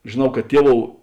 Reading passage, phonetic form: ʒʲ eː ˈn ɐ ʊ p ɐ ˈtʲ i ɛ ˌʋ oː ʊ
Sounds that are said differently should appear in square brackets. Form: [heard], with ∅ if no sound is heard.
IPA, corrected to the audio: ʒʲ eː ˈn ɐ ʊ [k] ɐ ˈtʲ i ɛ ˌʋ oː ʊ